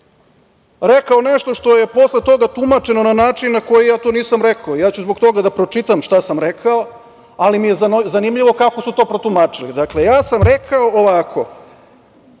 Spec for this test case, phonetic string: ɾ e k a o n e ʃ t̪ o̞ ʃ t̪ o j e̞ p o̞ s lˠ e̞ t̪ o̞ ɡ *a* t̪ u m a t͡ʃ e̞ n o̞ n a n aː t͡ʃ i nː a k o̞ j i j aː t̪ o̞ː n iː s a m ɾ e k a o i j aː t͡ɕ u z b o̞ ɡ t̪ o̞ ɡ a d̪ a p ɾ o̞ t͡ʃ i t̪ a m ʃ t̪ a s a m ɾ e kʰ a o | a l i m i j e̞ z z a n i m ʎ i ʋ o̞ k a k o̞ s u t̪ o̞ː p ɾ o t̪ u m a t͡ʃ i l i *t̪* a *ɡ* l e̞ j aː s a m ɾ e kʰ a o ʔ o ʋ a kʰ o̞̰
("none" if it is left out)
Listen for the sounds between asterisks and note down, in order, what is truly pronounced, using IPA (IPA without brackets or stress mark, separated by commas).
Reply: a, d̪, k